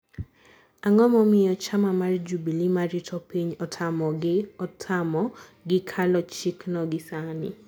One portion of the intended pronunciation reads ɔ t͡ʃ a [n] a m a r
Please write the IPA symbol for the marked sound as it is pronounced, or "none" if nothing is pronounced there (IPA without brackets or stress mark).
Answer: m